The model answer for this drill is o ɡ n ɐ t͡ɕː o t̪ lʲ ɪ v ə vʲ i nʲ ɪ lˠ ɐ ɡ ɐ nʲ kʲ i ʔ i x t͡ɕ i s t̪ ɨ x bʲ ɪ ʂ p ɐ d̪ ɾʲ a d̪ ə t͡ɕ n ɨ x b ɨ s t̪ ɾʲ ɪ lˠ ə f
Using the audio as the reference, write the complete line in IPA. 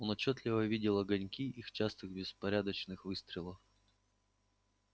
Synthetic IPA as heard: o n ɐ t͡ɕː o t̪ lʲ ɪ v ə vʲ i dʲ ɪ lˠ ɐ ɡ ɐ nʲ kʲ i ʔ i x t͡ɕ a s t̪ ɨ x bʲ ɪ s p ɐ ɾʲ a d̪ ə t͡ɕ n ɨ x v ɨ s t̪ ɾʲ ɪ lˠ ə f